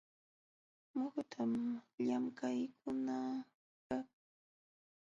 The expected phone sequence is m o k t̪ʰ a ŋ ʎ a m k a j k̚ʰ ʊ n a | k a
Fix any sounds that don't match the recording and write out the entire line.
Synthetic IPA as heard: m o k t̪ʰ a m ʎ a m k a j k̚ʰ ʊ n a | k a